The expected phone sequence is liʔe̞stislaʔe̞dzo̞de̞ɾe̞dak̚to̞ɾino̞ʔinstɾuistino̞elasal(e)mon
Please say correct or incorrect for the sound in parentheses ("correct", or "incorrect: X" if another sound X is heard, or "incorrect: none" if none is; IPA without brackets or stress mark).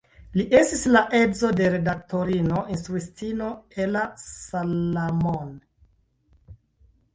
incorrect: a